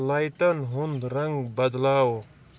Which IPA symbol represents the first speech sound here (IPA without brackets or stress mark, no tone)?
l